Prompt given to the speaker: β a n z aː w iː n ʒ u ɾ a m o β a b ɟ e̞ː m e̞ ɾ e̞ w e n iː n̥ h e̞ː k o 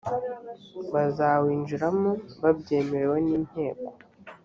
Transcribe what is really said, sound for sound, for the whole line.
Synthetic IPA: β a z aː w iː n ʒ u ɾ a m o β a b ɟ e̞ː m e̞ ɾ e̞ w e n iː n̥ h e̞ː k o